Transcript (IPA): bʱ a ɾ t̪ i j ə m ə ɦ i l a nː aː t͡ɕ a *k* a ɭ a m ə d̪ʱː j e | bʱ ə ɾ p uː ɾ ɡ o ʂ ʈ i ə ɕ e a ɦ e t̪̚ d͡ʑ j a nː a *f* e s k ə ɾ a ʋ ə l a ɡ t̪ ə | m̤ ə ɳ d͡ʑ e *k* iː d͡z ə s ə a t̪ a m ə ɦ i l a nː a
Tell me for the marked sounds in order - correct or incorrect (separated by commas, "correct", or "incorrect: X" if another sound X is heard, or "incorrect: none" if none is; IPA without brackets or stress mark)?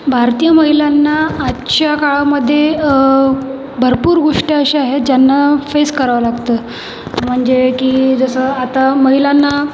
correct, correct, correct